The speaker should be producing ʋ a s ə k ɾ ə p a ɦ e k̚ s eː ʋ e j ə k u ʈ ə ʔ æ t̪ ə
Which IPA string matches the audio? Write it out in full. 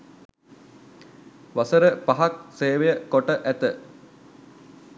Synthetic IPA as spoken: ʋ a s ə ɾ ə p a ɦ a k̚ s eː ʋ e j ə k o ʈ ə ʔ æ t̪ ə